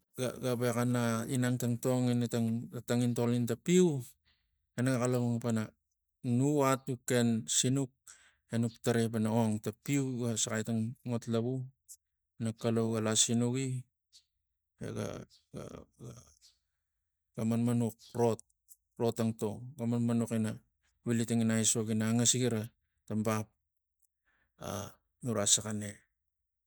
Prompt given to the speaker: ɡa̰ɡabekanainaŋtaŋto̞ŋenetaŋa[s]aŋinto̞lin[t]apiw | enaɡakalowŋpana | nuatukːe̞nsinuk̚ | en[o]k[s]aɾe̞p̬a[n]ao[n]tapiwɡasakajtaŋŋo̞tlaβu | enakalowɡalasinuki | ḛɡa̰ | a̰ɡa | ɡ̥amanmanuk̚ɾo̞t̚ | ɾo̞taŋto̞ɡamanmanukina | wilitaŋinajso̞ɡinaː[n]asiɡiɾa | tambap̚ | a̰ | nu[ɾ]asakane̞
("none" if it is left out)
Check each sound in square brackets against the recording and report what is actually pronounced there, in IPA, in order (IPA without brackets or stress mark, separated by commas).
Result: t, t, u, t, n, ŋ, ŋ, ɾ